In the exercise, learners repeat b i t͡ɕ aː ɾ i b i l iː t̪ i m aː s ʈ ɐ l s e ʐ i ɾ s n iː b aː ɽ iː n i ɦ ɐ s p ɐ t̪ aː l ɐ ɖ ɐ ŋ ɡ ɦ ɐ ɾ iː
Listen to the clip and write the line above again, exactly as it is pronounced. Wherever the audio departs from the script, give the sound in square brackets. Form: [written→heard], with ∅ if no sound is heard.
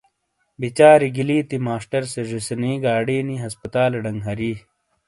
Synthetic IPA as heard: b i t͡ɕ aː ɾ i [b→ɡ] i l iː t̪ i m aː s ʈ ɐ [l→ɾ] s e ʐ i [ɾ→∅] s n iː [b→ɡ] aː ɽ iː n i ɦ ɐ s p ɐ t̪ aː l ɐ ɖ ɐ ŋ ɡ ɦ ɐ ɾ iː